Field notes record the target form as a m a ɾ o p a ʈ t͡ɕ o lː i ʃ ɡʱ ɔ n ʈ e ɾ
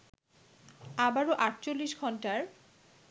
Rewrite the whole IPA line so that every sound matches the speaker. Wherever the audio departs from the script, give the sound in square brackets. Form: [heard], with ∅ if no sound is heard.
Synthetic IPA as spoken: a [b] a ɾ o [ʔ] a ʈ t͡ɕ o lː i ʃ ɡʱ ɔ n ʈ [a] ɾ